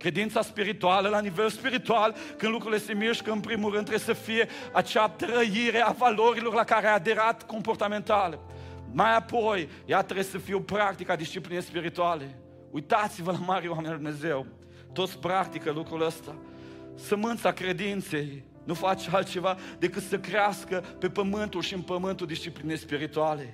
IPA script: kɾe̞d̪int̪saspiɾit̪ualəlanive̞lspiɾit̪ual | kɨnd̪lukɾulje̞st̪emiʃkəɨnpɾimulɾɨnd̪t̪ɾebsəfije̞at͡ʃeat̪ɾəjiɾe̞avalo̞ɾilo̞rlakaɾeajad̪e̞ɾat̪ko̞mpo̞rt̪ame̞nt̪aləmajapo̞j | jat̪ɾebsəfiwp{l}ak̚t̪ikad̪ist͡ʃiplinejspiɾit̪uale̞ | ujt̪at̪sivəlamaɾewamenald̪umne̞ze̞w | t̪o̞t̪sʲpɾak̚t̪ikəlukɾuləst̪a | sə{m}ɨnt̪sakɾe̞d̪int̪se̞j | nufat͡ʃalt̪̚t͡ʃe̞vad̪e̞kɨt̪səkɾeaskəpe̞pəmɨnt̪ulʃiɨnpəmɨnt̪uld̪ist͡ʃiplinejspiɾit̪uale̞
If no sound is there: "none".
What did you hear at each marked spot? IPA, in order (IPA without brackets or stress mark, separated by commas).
ɾ, m